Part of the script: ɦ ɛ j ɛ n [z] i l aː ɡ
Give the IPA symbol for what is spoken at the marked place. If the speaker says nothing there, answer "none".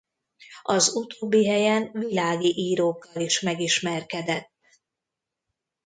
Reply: v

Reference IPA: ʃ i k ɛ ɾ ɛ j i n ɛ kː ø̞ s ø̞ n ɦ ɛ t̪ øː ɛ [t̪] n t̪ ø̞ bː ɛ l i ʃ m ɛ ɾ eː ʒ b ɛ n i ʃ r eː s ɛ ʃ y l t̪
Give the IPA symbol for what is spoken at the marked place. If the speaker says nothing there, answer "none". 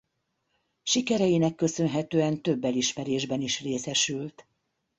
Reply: none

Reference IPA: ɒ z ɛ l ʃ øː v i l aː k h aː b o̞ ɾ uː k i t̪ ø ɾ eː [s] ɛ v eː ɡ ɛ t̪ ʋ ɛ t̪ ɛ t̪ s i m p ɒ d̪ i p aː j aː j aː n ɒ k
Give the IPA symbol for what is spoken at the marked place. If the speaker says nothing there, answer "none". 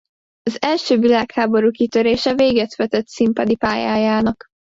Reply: ʃ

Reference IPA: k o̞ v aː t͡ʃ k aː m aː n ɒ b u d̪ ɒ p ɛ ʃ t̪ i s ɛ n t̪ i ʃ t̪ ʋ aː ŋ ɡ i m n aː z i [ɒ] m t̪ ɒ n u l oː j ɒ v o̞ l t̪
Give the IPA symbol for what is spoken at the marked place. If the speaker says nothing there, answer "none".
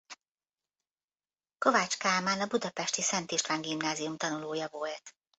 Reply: u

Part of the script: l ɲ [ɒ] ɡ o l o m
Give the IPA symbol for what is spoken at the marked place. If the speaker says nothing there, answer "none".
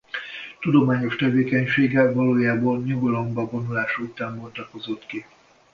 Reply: u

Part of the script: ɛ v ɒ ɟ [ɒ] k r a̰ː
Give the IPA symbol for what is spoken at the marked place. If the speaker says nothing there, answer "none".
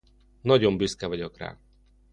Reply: o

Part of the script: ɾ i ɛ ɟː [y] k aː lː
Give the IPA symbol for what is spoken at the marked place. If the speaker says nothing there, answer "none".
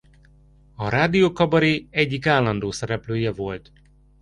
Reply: i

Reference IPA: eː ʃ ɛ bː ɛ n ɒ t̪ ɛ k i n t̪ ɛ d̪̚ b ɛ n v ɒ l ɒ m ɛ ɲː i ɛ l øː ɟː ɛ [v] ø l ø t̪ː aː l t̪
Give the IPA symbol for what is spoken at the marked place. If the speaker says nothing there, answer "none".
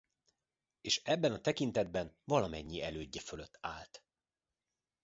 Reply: f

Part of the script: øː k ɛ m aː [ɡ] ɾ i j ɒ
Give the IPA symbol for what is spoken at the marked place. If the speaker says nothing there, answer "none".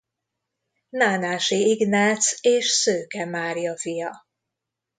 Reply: none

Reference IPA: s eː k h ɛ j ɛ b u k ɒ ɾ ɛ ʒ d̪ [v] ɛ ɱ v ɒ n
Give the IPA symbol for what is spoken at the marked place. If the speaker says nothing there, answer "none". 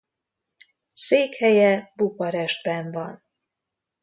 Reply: b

